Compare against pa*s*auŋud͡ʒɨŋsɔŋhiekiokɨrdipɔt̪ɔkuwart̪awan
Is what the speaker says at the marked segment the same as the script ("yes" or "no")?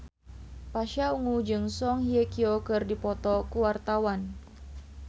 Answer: no